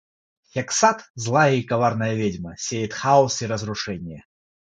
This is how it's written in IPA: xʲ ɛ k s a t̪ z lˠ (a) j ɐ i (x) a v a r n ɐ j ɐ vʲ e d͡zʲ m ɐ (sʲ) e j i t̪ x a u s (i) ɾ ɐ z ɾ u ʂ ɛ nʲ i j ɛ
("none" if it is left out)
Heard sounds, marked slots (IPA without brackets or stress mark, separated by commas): a, k, sʲ, i